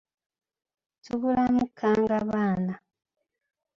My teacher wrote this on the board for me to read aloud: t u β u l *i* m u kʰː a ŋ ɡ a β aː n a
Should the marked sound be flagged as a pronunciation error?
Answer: yes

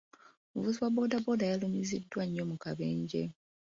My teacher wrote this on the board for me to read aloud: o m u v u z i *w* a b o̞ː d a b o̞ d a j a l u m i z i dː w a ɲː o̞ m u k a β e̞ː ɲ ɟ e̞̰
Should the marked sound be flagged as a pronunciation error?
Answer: no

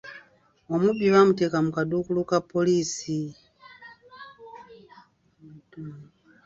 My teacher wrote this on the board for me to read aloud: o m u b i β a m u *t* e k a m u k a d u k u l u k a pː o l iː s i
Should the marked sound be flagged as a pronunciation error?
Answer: no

